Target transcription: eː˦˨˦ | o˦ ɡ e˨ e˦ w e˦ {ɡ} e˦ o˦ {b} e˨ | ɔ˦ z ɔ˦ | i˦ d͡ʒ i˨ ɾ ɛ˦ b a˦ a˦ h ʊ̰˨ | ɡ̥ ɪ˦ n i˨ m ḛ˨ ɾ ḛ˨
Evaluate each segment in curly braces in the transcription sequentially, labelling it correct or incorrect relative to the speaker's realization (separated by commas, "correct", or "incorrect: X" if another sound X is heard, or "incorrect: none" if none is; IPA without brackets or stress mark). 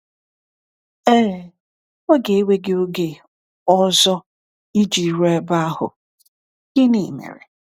correct, incorrect: ɡ